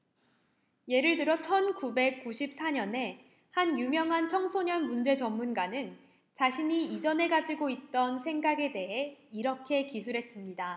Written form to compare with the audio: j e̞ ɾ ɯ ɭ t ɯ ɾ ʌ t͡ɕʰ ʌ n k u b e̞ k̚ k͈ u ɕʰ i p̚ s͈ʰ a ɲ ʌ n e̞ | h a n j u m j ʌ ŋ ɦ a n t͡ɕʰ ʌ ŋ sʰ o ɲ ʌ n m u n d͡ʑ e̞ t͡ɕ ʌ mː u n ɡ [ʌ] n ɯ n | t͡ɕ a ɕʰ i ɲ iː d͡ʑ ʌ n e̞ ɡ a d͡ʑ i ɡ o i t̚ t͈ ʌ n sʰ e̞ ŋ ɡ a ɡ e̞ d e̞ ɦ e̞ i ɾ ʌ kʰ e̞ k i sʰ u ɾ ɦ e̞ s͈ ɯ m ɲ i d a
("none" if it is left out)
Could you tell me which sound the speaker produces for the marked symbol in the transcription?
a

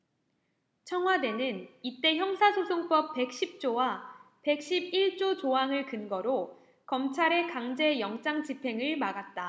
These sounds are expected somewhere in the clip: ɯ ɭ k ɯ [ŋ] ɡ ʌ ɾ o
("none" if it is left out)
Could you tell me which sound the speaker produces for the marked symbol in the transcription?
n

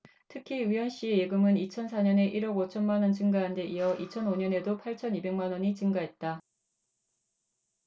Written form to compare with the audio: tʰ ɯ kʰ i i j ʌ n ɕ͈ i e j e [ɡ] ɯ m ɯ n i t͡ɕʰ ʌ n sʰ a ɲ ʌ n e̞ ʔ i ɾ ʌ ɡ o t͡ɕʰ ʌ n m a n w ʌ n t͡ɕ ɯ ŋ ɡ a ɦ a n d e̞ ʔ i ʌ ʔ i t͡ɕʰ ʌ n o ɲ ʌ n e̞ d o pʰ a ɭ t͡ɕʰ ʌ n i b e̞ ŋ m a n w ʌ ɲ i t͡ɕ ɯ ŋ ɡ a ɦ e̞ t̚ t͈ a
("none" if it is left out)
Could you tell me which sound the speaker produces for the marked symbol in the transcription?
ɡ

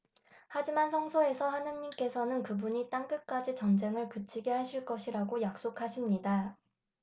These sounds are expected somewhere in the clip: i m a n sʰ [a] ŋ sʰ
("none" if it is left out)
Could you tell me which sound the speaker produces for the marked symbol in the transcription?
ʌ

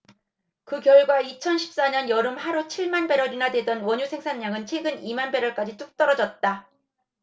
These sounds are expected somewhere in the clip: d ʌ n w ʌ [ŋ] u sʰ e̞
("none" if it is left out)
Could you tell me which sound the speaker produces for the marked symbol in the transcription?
ɲ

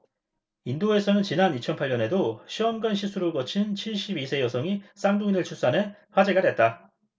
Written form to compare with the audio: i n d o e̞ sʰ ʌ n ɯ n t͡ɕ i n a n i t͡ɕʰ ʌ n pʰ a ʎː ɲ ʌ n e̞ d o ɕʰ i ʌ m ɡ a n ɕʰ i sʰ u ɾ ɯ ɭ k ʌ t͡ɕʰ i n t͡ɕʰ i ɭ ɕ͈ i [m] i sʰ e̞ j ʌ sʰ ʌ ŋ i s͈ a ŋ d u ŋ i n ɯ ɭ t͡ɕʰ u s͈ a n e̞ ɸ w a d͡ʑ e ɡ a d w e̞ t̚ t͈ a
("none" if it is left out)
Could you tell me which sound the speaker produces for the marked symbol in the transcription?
b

